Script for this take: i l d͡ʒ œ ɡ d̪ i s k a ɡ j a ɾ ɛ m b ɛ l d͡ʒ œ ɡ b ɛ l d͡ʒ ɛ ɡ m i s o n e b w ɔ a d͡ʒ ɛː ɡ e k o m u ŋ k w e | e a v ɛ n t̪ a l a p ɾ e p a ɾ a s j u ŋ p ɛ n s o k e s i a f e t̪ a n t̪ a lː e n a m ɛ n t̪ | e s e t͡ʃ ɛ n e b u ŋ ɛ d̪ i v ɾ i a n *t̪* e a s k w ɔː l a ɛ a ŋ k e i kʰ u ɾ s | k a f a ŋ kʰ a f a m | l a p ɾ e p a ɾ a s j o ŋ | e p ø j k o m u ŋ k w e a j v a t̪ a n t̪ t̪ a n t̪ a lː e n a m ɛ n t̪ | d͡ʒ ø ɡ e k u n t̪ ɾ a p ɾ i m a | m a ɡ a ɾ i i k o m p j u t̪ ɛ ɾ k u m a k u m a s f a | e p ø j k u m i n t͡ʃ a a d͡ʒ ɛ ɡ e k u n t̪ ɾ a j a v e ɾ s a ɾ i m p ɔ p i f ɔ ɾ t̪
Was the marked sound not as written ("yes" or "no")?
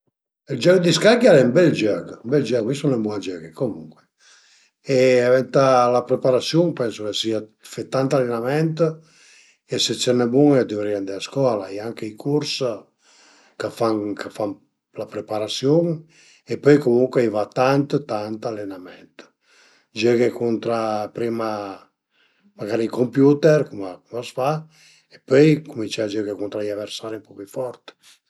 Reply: yes